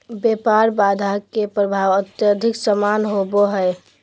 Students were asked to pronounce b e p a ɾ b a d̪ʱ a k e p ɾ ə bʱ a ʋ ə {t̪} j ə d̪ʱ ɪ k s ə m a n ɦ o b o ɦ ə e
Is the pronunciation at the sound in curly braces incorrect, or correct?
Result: correct